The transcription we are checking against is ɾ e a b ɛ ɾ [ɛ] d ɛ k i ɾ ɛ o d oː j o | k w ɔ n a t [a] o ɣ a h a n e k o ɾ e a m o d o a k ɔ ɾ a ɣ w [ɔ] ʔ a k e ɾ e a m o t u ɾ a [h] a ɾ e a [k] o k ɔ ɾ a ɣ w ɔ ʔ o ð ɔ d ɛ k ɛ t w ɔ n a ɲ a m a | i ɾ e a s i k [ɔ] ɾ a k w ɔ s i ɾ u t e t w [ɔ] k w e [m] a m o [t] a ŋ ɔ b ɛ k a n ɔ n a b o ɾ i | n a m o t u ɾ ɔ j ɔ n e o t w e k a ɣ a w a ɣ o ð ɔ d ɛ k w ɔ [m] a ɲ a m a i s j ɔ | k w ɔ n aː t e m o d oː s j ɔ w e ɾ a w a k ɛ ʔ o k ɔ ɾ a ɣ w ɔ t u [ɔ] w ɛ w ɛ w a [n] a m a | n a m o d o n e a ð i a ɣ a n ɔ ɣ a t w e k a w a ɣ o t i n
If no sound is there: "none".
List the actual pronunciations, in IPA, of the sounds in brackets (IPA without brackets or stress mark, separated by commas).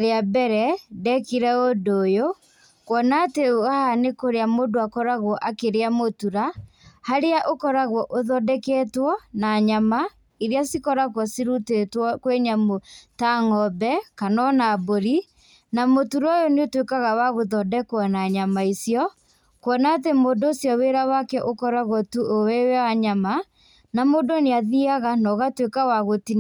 ɛ, e, ɔ, h, ʔ, ɔ, ɔ, ɲ, t, n, o, ɲ